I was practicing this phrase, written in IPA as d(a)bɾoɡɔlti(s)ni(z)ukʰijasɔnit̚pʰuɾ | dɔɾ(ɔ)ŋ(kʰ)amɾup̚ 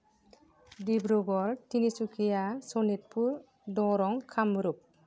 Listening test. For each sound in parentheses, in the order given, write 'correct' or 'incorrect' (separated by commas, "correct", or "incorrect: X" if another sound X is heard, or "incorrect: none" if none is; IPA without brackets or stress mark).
incorrect: i, incorrect: none, incorrect: s, correct, correct